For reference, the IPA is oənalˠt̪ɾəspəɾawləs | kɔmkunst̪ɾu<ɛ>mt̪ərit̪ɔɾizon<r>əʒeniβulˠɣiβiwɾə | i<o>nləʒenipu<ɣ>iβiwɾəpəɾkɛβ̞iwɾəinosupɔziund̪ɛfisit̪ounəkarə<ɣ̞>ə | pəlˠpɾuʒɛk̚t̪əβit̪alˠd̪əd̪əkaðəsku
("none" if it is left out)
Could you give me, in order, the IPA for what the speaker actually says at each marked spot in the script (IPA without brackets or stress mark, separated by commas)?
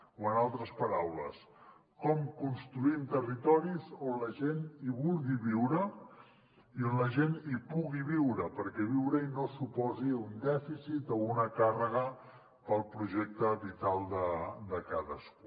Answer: i, l, o, ɣ, ɣ̞